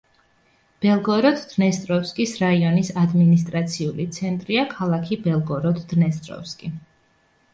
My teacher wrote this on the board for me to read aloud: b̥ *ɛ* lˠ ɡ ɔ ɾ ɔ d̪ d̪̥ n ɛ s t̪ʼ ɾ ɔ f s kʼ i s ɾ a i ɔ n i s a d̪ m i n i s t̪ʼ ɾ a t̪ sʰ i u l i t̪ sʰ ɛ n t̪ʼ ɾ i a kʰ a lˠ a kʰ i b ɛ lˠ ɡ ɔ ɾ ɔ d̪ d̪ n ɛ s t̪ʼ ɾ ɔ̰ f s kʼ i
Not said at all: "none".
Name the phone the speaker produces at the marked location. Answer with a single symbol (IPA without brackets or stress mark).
ɛ